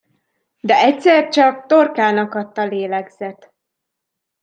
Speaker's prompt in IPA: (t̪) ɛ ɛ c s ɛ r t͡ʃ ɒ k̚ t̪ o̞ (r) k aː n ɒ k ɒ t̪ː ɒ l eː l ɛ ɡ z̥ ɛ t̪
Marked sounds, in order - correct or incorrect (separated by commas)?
incorrect, correct